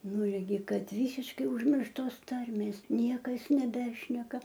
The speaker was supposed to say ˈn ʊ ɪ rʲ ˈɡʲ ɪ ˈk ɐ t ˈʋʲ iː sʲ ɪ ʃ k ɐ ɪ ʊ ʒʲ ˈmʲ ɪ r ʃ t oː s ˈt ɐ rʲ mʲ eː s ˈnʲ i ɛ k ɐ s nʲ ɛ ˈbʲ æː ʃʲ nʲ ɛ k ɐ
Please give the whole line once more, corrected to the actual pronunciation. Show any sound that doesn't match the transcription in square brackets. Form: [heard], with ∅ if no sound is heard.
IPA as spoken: ˈn ʊ ɪ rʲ ˈɡʲ ɪ ˈk ɐ t ˈʋʲ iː sʲ ɪ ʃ k ɐ ɪ ʊ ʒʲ ˈmʲ ɪ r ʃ t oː s ˈt ɐ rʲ mʲ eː s ˈnʲ i ɛ k ɐ s nʲ ɛ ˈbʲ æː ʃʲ nʲ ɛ k ɐ